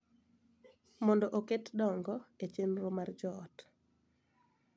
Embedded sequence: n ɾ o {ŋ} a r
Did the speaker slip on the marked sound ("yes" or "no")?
yes